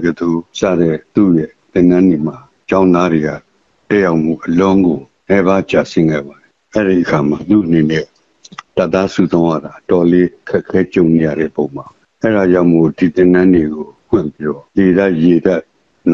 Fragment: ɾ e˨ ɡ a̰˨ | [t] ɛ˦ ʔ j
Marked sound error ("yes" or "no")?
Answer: no